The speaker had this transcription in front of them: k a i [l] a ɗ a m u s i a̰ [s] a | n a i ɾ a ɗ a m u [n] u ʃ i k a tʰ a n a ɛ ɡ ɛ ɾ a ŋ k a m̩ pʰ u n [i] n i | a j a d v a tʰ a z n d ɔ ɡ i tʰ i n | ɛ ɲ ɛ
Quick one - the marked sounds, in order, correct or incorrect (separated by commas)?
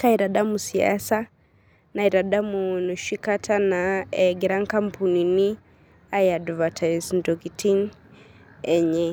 incorrect, correct, correct, correct